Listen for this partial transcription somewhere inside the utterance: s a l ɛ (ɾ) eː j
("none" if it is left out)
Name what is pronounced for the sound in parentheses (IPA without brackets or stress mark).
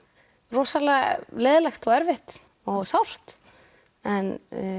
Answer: l